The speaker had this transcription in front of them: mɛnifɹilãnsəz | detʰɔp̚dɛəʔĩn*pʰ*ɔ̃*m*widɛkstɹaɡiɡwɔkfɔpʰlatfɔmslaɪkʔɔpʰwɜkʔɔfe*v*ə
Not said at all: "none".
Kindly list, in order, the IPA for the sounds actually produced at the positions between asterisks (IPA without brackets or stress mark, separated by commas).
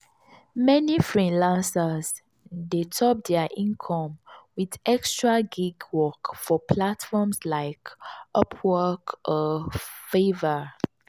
kʰ, m, v